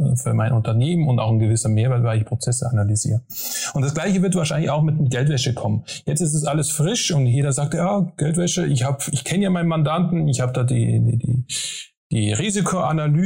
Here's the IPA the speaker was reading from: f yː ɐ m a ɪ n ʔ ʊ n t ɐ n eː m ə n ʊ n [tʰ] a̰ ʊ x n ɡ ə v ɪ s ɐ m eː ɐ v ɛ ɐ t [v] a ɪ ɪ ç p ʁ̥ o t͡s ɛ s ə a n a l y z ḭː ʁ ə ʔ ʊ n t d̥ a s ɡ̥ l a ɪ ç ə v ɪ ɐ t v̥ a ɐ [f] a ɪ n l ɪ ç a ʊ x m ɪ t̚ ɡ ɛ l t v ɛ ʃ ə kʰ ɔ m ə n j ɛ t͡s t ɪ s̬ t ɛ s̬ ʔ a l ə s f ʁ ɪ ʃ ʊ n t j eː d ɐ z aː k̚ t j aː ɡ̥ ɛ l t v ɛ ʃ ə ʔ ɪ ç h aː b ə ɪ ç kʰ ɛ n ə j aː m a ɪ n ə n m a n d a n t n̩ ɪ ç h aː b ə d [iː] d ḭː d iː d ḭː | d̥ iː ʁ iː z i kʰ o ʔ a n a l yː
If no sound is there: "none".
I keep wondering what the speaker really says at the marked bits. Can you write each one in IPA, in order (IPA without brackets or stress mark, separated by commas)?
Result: t, v, ʃ, aː